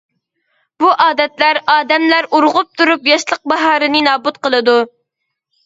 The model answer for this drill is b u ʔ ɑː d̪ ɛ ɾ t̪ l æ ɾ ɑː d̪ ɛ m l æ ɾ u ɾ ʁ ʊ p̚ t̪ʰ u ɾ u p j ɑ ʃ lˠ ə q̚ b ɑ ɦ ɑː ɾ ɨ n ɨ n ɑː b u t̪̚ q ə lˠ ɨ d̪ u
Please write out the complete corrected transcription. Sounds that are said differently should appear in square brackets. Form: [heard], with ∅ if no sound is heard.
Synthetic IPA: b u ʔ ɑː d̪ ɛ [∅] t̪ l æ ɾ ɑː d̪ ɛ m l æ ɾ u ɾ ʁ ʊ p̚ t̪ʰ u ɾ u p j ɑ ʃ lˠ ə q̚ b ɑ ɦ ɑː ɾ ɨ n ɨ n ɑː b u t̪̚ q ə lˠ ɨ d̪ u